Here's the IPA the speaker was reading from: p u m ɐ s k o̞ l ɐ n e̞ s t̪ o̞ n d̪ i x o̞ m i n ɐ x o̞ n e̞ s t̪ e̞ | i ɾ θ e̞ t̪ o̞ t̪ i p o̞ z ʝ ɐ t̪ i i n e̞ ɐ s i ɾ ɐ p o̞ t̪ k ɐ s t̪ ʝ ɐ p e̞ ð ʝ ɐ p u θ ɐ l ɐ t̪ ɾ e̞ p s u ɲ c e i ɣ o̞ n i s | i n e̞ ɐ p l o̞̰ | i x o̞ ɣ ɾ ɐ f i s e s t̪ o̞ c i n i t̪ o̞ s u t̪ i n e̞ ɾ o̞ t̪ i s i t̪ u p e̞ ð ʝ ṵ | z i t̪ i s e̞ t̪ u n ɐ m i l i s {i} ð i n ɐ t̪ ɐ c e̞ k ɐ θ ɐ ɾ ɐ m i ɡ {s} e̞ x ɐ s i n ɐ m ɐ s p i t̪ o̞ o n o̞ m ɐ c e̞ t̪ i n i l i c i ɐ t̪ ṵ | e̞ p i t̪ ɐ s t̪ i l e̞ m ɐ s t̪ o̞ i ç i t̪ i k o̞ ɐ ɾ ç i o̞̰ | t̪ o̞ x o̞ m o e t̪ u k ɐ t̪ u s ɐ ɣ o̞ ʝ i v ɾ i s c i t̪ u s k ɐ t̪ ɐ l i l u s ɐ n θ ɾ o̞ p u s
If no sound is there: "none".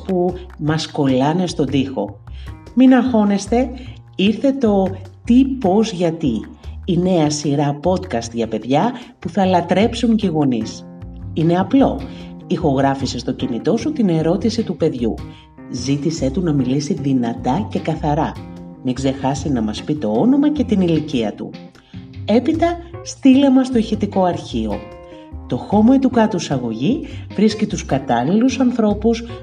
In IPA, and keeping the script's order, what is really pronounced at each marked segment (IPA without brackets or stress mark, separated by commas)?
i, z